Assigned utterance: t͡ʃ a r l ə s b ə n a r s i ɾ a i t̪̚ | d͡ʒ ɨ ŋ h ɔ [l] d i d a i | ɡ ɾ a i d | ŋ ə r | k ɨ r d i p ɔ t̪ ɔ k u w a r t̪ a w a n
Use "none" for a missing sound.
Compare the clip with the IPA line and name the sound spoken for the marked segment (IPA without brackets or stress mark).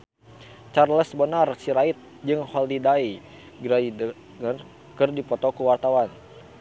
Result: l